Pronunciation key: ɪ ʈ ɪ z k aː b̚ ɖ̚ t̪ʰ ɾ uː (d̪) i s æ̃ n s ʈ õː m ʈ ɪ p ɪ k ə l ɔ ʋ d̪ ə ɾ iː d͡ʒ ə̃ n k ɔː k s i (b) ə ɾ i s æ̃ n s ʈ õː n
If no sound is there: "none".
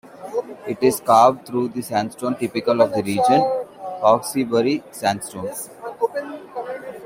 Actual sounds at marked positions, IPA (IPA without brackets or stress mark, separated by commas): d̪, b